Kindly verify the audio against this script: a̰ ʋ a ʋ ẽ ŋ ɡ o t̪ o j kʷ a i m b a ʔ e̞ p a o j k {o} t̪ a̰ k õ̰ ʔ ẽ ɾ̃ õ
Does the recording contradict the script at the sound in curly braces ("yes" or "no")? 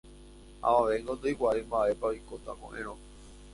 no